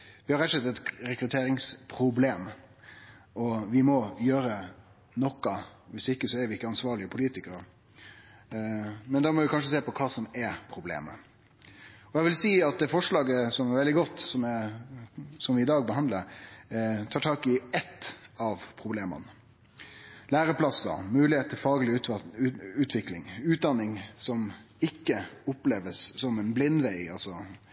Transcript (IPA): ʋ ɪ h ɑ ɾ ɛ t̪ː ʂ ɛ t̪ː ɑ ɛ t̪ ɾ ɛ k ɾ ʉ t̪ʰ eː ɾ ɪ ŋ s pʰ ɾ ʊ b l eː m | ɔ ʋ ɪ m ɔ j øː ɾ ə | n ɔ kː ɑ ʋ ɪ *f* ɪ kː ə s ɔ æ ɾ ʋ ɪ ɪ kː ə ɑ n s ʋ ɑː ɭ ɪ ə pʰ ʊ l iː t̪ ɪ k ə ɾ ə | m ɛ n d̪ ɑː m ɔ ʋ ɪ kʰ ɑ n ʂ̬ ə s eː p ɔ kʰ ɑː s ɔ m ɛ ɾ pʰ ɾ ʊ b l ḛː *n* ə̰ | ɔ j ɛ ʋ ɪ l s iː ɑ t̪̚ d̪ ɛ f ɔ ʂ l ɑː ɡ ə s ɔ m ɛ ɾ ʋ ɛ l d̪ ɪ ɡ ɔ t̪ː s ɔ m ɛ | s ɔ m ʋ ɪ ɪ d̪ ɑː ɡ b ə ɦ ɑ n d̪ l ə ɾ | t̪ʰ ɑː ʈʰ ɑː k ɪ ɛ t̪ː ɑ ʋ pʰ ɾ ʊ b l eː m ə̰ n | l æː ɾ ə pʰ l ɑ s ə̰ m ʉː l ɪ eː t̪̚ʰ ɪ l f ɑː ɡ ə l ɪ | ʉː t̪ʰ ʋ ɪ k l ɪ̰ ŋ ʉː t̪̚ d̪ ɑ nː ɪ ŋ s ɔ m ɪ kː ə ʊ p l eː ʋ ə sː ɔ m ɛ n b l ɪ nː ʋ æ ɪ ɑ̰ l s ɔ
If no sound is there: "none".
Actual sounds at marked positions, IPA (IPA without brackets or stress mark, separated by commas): s, m